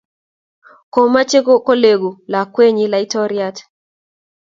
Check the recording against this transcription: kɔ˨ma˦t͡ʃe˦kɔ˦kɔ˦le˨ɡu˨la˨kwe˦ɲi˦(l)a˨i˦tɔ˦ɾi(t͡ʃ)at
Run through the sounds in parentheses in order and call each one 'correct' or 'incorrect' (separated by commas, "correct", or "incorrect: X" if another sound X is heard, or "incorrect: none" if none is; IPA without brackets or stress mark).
correct, incorrect: none